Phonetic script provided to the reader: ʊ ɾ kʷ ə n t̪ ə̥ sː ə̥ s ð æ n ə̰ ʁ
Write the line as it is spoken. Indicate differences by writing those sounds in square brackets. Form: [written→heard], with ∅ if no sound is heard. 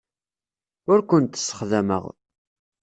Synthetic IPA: ʊ ɾ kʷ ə n t̪ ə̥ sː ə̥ [s→χ] ð æ [n→m] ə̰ ʁ